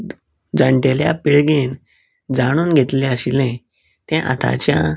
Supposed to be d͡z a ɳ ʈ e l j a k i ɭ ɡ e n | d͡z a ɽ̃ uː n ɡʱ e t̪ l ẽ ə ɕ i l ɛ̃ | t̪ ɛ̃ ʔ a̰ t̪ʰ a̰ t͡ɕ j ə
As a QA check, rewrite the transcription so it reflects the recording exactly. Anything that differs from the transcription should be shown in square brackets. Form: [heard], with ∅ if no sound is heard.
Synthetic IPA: d͡z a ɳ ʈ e l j a [p] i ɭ ɡ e n | d͡z a ɽ̃ uː n ɡʱ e t̪ l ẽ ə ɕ i l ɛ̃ | t̪ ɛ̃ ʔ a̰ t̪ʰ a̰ t͡ɕ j [a]